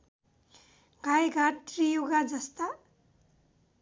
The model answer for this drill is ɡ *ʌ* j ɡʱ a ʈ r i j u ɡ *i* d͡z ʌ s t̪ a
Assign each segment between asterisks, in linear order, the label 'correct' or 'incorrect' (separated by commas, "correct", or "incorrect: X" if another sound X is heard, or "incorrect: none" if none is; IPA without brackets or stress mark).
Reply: incorrect: a, incorrect: a